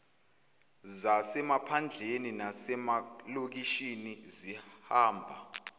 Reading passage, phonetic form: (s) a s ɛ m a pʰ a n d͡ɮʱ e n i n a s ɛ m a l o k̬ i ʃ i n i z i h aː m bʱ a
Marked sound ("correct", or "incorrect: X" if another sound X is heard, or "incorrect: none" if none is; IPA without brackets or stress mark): incorrect: z